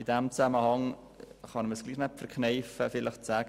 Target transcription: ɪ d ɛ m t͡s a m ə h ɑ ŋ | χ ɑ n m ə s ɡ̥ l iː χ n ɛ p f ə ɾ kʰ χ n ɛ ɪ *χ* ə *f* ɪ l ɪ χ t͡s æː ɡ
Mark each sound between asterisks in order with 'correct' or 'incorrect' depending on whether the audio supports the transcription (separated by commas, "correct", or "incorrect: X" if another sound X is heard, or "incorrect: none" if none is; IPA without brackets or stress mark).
incorrect: f, correct